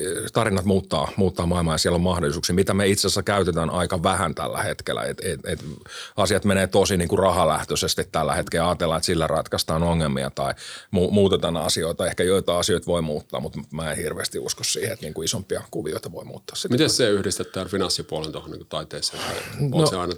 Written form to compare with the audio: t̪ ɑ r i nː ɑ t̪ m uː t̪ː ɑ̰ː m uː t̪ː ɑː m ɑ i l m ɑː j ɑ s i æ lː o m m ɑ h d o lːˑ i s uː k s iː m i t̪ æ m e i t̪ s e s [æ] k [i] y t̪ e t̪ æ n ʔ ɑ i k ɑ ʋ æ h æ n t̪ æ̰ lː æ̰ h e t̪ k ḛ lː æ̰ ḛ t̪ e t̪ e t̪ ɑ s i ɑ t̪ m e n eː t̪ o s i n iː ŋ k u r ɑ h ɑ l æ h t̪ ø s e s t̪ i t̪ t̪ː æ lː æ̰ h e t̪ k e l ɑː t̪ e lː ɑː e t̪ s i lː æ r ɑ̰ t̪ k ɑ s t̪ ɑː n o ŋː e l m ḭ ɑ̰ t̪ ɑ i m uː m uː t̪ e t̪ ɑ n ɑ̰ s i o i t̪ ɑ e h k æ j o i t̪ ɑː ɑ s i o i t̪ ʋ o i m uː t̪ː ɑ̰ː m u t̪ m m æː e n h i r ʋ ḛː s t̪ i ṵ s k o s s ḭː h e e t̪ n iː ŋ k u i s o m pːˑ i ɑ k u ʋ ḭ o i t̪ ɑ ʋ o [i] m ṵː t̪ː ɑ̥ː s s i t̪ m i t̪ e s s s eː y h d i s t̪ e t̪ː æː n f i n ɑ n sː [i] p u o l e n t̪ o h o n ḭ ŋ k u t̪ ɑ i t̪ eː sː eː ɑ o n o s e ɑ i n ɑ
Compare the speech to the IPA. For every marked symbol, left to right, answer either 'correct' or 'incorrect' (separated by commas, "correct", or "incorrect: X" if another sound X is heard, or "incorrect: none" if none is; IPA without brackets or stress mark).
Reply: correct, incorrect: æ, correct, correct